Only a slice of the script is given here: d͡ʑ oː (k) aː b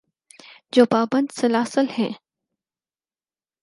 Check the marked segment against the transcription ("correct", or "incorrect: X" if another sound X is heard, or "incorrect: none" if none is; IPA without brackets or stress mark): incorrect: p